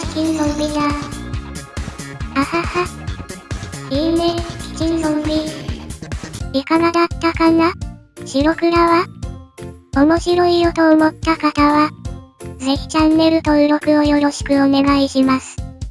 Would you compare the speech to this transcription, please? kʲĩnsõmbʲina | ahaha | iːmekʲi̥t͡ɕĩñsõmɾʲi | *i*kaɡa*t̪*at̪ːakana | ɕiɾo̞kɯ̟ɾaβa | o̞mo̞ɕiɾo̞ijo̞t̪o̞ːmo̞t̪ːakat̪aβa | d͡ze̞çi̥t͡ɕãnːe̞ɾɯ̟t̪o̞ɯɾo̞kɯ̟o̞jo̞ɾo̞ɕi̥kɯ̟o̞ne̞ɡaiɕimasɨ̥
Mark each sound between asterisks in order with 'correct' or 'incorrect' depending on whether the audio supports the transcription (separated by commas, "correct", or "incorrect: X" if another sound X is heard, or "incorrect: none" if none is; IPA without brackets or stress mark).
correct, incorrect: d̪